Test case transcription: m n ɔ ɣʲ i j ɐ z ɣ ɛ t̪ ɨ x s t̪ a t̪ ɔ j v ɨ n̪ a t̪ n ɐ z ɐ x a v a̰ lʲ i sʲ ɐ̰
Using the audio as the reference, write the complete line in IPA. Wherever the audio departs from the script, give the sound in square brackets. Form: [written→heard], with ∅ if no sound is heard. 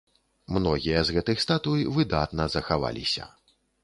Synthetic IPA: m n ɔ ɣʲ i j ɐ z ɣ ɛ t̪ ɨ x s t̪ a t̪ [ɔ→u] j v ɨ [n̪→d̪] a t̪ n ɐ z ɐ x a v a̰ lʲ i sʲ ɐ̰